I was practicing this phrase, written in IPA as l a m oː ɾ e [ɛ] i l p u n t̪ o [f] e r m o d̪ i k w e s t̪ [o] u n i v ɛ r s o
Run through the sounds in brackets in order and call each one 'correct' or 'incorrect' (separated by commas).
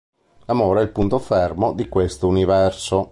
correct, correct, correct